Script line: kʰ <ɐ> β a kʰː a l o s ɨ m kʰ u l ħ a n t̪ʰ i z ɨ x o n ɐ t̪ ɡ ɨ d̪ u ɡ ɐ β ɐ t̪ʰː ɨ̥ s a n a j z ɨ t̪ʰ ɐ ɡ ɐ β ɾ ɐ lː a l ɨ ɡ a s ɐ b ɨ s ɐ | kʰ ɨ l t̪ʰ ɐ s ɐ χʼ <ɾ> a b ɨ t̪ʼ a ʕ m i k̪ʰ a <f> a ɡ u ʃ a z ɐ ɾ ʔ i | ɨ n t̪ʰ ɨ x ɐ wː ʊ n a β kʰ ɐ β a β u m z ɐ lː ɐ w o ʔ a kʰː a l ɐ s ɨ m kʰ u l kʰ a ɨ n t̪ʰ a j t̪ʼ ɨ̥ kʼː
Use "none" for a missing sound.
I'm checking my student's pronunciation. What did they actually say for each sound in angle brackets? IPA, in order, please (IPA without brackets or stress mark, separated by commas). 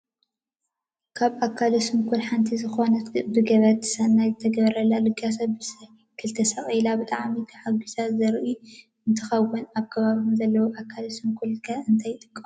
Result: a, l, ħ